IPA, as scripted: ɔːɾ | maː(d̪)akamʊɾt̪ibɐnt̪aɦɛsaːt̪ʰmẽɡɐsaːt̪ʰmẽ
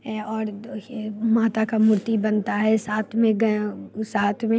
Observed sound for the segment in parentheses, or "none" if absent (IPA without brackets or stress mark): t̪